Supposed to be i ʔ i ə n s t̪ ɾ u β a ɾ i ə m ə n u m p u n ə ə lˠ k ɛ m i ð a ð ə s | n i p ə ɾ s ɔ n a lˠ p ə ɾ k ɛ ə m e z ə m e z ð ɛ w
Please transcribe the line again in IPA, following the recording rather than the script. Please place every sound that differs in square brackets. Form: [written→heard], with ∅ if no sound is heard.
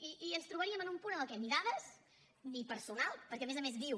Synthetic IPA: i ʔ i ə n s t̪ ɾ u β [a→ə] ɾ i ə m ə n u m p u n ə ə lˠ k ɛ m i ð a ð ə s | n i p ə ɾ s [ɔ→u] n a lˠ p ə ɾ k ɛ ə m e z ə m e z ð [ɛ→i] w